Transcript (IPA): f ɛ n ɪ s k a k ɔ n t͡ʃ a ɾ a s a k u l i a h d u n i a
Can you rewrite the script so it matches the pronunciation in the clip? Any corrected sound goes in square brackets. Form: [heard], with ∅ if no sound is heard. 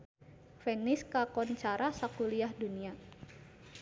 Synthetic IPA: f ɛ n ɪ s k a k ɔ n t͡ʃ a ɾ a s a k u l i a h d u n i a